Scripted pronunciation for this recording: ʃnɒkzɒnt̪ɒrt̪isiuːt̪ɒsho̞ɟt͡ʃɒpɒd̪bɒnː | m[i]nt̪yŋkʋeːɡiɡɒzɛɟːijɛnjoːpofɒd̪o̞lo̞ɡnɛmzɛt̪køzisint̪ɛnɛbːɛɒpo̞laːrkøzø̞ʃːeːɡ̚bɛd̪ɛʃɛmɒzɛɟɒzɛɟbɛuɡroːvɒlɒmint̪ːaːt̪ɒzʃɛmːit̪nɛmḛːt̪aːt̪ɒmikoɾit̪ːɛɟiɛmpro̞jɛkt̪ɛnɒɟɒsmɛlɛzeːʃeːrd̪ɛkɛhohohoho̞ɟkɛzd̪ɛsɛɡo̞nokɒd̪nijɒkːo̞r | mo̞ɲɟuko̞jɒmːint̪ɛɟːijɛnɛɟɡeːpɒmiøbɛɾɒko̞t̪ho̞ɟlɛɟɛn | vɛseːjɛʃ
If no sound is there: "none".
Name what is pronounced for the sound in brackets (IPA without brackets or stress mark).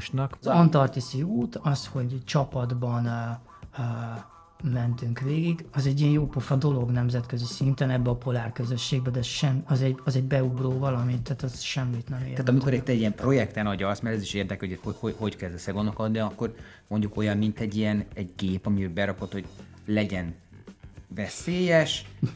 ɛ